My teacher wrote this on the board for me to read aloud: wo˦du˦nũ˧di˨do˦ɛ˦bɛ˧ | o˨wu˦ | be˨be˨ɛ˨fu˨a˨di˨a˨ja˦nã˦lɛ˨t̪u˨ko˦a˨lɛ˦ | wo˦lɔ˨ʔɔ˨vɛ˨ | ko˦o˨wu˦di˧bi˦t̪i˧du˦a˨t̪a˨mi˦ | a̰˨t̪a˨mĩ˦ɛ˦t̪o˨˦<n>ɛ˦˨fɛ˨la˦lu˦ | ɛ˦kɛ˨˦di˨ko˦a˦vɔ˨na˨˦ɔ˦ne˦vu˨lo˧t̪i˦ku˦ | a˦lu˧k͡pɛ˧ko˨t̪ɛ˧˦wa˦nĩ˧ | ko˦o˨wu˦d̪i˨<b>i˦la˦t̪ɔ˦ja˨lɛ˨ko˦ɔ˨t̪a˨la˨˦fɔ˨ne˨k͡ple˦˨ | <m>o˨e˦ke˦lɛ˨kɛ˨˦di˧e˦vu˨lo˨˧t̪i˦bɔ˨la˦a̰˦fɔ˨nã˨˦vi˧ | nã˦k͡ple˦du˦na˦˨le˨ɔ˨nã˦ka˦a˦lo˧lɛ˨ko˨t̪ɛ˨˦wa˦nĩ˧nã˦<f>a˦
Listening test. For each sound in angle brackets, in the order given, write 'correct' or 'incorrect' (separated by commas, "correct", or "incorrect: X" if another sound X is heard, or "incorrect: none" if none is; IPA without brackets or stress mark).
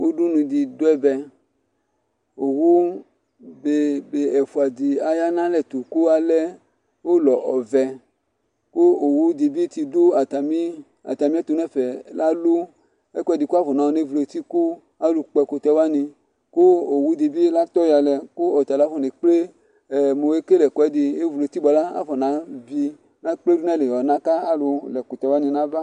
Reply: correct, correct, correct, incorrect: v